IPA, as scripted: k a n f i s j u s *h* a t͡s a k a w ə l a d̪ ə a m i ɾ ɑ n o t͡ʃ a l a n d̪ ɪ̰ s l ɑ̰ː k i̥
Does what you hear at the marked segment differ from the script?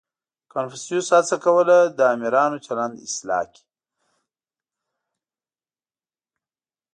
no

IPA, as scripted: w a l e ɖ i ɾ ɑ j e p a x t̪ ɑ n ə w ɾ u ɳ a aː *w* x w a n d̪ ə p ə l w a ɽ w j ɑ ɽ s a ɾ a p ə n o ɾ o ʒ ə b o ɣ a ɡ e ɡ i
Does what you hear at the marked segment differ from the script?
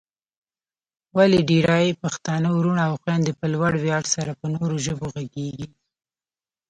no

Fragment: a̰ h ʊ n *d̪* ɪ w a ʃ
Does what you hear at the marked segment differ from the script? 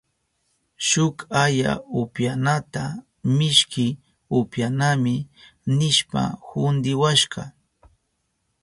no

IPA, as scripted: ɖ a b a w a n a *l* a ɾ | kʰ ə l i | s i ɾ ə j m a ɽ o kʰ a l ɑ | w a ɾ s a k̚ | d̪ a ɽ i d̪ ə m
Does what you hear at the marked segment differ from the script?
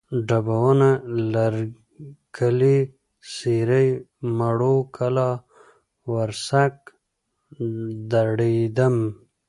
no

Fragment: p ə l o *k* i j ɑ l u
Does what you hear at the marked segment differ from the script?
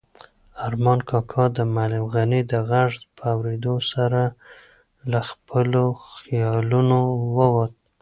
yes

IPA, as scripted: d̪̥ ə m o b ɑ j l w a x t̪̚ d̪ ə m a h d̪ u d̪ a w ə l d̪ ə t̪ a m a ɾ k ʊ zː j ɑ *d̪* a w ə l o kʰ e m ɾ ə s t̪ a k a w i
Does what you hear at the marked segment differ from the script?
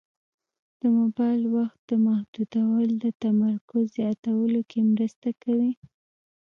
yes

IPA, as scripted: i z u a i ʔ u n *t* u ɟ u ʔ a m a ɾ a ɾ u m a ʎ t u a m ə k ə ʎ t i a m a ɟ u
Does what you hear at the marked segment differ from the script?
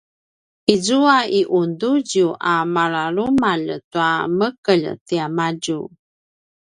yes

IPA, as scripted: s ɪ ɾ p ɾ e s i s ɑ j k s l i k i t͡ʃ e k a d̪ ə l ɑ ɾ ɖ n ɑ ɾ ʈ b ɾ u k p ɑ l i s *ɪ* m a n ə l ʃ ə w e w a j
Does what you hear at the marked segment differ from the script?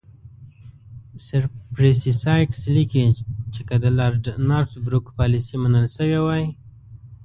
yes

